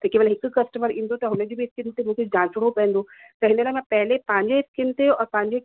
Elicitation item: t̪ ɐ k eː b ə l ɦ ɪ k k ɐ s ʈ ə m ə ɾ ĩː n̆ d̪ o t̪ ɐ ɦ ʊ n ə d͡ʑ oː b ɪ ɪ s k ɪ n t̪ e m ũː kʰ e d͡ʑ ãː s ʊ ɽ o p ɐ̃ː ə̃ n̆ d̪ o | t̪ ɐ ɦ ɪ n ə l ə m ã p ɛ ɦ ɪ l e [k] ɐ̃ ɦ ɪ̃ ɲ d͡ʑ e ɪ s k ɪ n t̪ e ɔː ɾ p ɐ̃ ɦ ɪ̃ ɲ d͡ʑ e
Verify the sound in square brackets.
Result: incorrect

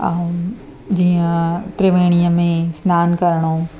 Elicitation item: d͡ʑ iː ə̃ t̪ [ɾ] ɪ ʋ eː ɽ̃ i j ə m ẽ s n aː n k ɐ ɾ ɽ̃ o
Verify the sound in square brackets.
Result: correct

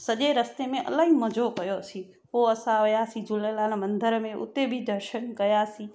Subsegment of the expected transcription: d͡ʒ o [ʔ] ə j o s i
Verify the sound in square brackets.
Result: incorrect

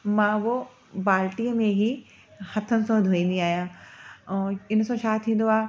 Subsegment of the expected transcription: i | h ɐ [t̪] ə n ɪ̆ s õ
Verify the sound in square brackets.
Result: incorrect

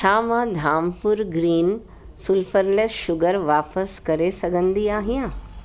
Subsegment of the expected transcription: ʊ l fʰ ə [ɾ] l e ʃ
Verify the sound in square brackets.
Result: correct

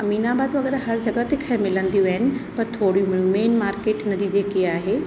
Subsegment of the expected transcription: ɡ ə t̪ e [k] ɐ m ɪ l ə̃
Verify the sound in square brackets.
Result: incorrect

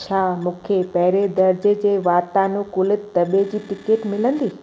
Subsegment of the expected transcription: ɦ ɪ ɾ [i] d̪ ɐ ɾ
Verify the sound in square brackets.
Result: incorrect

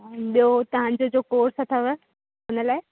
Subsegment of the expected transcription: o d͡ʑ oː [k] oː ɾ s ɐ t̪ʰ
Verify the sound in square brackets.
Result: correct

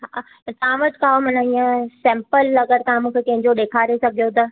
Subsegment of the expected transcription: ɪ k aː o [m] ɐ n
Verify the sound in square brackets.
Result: correct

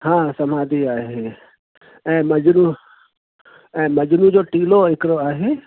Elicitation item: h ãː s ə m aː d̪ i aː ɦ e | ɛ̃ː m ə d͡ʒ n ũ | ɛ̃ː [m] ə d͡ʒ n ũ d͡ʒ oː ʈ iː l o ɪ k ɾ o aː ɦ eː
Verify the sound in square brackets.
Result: correct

